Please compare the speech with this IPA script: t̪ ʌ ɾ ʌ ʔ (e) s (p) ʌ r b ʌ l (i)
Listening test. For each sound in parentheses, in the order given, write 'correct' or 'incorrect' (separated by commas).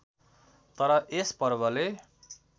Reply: correct, correct, incorrect